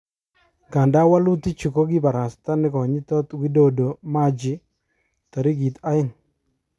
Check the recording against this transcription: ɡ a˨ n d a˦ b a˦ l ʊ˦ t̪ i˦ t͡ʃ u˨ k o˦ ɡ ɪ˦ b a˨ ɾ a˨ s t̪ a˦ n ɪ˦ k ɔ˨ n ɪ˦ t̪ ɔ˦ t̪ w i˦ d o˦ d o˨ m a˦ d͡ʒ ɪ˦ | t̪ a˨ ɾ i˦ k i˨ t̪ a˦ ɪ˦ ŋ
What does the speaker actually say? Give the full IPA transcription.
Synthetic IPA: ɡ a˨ n d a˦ w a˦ l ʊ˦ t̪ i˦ t͡ʃ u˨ k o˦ ɡ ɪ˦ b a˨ ɾ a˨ s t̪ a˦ n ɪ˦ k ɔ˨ ɲ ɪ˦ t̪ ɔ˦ t̪ w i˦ d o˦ d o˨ m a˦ d͡ʒ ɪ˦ | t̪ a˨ ɾ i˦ ɡ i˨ t̪ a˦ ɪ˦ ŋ